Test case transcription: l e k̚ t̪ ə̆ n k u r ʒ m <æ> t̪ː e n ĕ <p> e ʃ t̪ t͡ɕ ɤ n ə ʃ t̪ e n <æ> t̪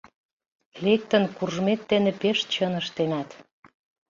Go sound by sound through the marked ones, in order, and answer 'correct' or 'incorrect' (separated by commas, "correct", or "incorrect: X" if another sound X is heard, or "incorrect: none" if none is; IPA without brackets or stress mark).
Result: incorrect: e, correct, correct